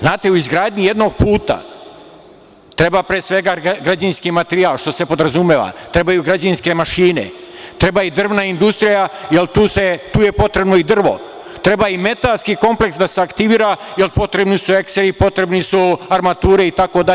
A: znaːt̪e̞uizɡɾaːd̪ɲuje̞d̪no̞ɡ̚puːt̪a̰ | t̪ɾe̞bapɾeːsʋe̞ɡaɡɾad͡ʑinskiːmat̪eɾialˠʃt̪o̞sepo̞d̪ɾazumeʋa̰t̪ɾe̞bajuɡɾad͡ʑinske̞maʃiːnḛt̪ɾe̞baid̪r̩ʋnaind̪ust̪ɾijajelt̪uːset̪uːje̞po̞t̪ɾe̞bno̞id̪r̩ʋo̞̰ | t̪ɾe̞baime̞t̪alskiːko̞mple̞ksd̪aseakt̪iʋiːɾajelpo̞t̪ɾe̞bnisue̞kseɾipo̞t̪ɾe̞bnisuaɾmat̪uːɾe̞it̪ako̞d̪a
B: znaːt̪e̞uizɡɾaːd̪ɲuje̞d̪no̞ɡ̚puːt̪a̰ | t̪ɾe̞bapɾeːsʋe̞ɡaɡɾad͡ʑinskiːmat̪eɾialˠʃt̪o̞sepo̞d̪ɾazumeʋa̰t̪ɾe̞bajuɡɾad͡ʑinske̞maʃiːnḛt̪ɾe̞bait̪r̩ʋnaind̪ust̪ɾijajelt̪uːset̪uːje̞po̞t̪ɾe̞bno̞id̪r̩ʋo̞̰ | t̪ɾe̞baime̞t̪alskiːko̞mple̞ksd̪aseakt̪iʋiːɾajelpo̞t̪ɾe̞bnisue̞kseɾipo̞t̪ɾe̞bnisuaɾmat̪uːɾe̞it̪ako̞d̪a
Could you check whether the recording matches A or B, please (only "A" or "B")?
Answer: A